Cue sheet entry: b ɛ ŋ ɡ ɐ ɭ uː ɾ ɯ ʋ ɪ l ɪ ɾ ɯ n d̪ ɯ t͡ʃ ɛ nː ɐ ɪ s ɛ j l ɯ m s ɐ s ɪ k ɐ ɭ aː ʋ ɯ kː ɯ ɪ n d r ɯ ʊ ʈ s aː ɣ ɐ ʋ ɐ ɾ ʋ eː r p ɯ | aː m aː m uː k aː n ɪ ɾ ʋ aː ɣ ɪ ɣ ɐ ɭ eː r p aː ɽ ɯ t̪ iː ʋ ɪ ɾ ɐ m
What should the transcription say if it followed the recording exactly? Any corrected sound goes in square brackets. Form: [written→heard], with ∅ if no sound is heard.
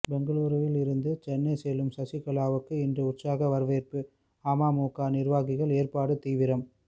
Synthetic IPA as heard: b ɛ ŋ ɡ ɐ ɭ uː ɾ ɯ ʋ ɪ l ɪ ɾ ɯ n d̪ ɯ t͡ʃ ɛ nː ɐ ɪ s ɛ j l ɯ m s ɐ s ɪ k ɐ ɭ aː ʋ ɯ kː ɯ ɪ n d r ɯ ʊ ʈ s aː ɣ ɐ ʋ ɐ ɾ ʋ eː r p ɯ | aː m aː m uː k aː n ɪ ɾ ʋ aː ɣ ɪ ɣ ɐ ɭ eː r p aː ɽ ɯ t̪ iː ʋ ɪ ɾ ɐ m